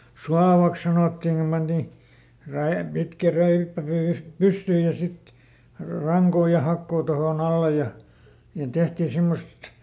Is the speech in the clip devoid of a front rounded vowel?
no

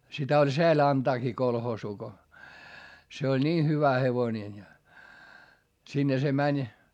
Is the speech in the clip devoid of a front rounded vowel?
no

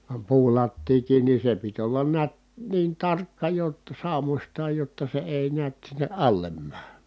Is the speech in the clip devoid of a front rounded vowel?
yes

